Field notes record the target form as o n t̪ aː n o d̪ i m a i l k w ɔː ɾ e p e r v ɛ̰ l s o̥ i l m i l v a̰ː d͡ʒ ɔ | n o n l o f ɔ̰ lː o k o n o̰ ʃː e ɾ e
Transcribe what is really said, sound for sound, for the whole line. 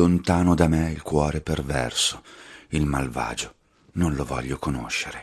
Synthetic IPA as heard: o n t̪ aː n o d̪ a m e i l k w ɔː ɾ e p e r v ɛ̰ r s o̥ i l m a l v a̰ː d͡ʒ o | n o n l o v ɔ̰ ʎː o k o n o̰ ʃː e ɾ e